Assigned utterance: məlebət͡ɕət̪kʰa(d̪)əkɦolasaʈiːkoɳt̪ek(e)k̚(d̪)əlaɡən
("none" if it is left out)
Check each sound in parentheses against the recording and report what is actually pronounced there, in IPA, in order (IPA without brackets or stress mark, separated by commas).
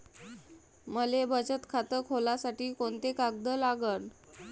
t̪, a, d̪